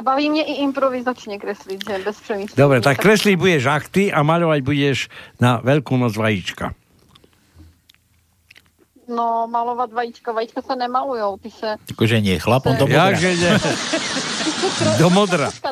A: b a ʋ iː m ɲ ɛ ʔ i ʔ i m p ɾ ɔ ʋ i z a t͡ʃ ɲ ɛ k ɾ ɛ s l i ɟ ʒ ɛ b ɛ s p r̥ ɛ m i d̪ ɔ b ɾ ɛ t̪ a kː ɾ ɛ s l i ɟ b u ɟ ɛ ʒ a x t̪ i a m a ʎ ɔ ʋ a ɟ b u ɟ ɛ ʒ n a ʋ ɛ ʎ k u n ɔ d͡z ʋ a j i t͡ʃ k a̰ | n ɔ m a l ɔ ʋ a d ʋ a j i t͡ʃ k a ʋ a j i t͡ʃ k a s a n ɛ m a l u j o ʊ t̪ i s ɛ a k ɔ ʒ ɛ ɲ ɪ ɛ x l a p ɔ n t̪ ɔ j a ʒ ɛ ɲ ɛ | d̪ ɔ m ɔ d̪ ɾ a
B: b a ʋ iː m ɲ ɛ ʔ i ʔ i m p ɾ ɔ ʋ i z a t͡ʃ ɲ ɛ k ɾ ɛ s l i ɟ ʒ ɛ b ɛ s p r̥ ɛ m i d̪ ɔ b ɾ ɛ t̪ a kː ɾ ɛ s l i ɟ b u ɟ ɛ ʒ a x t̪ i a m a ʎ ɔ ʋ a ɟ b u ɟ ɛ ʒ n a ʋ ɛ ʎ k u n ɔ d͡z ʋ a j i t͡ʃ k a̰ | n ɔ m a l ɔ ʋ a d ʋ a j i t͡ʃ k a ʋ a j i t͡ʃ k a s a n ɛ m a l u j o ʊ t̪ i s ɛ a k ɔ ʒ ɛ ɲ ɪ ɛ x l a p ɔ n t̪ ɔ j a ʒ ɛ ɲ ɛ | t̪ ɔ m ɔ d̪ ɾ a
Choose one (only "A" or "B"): A